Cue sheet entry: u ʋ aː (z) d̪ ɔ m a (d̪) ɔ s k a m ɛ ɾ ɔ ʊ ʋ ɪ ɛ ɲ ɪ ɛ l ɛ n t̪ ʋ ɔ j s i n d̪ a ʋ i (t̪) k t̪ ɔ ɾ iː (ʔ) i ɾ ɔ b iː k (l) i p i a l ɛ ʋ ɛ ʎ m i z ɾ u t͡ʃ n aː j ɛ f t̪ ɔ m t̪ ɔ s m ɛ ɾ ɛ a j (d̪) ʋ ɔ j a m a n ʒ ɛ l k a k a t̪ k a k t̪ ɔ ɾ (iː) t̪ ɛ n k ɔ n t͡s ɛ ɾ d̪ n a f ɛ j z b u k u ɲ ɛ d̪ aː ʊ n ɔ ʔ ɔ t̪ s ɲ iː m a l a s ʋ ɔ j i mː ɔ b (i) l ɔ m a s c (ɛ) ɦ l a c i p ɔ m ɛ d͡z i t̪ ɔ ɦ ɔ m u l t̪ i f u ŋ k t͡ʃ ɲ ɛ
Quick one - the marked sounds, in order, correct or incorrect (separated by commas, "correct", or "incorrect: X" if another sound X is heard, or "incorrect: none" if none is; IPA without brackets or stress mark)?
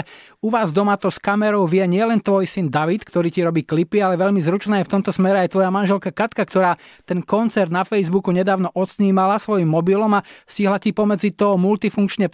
correct, incorrect: t̪, correct, incorrect: c, correct, incorrect: t̪, incorrect: aː, correct, incorrect: i